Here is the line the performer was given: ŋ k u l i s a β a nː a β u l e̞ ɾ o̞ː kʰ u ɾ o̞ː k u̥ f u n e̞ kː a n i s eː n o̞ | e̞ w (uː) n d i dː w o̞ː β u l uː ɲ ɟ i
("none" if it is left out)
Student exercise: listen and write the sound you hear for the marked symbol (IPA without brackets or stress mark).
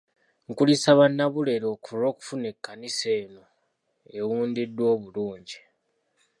uː